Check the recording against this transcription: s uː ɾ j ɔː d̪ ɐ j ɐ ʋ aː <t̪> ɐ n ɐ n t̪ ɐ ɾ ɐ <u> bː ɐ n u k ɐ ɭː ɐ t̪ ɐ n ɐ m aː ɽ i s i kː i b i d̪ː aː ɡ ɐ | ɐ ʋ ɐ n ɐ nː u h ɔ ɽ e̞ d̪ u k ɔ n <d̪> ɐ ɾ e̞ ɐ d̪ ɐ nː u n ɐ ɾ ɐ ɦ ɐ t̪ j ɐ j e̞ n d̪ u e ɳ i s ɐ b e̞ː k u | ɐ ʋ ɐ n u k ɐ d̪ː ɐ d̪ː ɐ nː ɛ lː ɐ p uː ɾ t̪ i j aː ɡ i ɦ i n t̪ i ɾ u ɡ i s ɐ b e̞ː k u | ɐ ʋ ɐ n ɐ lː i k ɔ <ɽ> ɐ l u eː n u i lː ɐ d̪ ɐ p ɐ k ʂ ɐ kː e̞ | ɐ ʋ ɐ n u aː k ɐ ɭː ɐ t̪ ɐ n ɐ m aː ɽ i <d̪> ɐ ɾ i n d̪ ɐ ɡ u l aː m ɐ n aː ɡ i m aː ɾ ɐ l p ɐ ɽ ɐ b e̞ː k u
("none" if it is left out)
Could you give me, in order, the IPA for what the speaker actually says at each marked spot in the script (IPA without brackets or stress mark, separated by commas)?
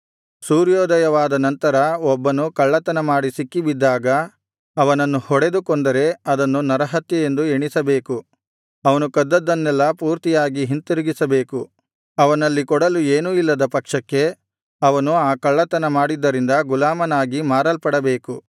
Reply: d̪, ɔ, d̪, ɽ, d̪ː